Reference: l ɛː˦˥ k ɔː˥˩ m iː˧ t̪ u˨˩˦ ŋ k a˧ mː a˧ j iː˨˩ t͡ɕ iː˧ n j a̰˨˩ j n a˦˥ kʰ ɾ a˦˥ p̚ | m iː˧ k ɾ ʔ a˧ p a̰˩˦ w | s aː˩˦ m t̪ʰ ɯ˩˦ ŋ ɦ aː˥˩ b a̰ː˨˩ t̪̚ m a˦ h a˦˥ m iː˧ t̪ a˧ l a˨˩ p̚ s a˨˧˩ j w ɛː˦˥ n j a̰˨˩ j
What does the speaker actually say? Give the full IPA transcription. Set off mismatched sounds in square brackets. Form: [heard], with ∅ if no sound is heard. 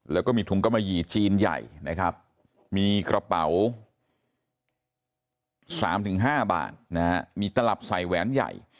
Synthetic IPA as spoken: l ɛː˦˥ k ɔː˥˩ m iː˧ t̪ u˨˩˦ ŋ k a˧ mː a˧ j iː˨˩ t͡ɕ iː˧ n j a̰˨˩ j n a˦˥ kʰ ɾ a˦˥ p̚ | m iː˧ k ɾ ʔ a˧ p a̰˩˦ w | s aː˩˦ m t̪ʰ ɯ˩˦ ŋ ɦ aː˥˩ b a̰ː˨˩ t̪̚ [n] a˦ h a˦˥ m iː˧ t̪ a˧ l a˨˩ p̚ s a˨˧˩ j w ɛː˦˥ n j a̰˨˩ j

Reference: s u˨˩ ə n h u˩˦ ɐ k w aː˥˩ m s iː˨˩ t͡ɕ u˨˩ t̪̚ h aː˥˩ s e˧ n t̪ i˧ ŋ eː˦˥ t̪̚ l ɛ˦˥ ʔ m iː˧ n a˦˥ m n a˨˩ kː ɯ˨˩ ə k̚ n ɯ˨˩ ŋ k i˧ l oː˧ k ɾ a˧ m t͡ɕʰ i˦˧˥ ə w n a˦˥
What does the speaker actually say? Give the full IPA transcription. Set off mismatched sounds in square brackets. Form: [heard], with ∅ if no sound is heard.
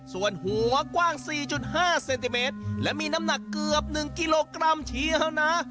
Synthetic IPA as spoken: s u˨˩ ə n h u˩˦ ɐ k w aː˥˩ [ŋ] s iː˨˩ t͡ɕ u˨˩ t̪̚ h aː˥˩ s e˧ n t̪ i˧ [m] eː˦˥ t̪̚ l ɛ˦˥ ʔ m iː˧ n a˦˥ m n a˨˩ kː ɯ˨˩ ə [p̚] n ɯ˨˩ ŋ k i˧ l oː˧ k ɾ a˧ m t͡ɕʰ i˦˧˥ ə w n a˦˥

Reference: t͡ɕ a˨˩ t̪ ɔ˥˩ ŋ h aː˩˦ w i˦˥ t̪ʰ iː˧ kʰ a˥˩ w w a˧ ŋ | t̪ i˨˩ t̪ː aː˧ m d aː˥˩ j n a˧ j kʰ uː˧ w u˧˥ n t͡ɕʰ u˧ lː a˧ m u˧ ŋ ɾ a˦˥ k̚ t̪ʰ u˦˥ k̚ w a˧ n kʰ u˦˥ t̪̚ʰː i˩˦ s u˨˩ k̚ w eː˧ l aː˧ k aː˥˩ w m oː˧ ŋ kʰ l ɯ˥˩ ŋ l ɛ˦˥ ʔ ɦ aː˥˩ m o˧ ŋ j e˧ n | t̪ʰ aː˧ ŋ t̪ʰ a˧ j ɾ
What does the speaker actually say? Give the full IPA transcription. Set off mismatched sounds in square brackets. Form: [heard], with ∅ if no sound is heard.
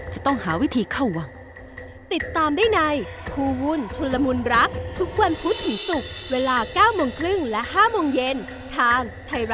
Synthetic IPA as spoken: t͡ɕ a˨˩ t̪ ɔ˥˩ ŋ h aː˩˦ w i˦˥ t̪ʰ iː˧ kʰ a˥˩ w w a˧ ŋ | t̪ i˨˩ t̪ː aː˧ m d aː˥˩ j n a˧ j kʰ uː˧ w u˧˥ n t͡ɕʰ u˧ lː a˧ m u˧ [n] ɾ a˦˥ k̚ t̪ʰ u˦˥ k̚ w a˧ n [pʰ] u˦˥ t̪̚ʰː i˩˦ s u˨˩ k̚ w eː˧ l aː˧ k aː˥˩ w m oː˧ ŋ kʰ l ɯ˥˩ ŋ l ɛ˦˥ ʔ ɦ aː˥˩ m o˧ ŋ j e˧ n | t̪ʰ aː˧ ŋ t̪ʰ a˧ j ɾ

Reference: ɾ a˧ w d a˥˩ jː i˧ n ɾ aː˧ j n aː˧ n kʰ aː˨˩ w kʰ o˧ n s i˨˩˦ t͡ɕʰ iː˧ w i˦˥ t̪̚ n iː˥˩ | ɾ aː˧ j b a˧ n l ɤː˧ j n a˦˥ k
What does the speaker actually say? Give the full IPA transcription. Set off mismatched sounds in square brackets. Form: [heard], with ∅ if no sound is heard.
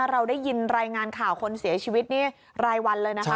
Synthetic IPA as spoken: ɾ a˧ w d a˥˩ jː i˧ n ɾ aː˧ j [ŋ] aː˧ n kʰ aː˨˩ w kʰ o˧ n s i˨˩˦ t͡ɕʰ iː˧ w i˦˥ t̪̚ n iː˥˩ | ɾ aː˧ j [w] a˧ n l ɤː˧ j n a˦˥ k

